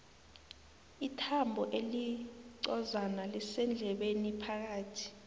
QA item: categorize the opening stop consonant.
aspirated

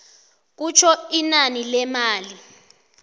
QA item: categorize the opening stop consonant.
plain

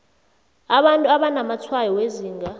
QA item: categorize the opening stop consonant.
implosive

